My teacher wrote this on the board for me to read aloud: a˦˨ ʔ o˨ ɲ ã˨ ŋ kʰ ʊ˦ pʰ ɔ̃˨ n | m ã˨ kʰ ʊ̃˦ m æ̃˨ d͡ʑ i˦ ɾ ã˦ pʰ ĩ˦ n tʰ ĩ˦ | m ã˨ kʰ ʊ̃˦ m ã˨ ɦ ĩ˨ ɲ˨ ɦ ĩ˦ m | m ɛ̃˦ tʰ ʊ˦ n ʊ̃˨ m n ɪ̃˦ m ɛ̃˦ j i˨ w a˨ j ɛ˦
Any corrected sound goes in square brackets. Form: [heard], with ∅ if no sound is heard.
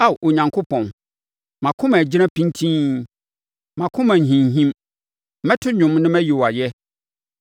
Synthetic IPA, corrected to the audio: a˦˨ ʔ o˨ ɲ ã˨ ŋ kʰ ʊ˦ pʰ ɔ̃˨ n | m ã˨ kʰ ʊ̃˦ m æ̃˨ d͡ʑ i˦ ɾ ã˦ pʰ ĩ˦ n tʰ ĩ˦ | m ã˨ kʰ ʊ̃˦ m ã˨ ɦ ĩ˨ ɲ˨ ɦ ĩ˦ m | m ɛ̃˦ tʰ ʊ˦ [ɲ] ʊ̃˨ m n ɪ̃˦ m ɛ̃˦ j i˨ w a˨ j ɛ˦